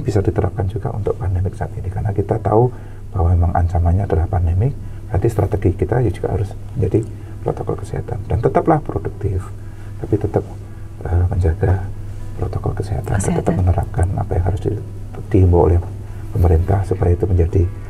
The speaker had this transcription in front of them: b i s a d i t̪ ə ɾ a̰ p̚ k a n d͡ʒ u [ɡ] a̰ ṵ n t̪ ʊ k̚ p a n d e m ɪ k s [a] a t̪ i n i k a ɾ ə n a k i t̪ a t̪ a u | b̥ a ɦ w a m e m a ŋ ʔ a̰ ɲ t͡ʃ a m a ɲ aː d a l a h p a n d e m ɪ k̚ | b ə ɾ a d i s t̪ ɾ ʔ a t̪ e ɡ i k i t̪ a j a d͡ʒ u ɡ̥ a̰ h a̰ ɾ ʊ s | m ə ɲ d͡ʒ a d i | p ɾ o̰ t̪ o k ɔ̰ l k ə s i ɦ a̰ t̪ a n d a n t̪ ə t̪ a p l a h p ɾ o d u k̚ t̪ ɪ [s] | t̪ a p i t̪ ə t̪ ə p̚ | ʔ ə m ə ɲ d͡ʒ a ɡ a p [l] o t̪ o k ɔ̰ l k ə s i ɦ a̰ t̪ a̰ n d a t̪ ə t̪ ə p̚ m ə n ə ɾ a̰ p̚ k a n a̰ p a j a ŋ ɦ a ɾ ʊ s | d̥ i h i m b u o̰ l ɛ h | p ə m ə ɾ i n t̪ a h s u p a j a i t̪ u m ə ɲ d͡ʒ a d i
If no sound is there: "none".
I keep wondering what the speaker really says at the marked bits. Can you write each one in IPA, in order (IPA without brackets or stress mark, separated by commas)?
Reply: ɡ, a, f, ɾ